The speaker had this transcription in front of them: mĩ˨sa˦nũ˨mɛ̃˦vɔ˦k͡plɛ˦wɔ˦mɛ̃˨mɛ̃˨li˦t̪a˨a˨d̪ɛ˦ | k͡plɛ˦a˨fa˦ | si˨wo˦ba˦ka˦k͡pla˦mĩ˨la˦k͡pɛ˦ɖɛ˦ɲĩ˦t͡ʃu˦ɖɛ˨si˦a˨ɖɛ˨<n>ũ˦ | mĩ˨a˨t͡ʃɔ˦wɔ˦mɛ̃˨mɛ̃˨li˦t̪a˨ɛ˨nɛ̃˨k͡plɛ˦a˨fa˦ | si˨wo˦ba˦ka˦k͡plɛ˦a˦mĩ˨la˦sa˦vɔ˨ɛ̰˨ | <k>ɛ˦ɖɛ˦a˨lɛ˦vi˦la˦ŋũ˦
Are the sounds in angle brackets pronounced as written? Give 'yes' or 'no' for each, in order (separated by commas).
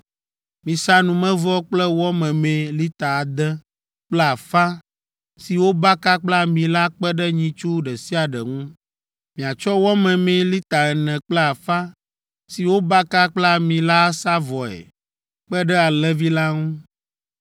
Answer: no, no